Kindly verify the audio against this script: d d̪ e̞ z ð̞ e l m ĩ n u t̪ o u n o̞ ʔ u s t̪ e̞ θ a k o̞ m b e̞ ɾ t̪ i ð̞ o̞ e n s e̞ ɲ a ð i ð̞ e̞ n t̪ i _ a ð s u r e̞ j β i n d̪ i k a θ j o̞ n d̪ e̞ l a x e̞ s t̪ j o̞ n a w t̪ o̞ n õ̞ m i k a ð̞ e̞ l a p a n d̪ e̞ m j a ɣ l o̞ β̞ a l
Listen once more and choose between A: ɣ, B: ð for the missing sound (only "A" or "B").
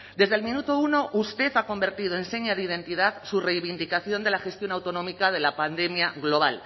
B